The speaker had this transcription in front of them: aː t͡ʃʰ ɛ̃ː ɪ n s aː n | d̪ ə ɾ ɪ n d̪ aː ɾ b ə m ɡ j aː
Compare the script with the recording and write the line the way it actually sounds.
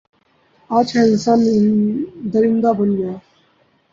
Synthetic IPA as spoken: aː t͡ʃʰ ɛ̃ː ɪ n s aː n | d̪ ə ɾ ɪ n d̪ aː b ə n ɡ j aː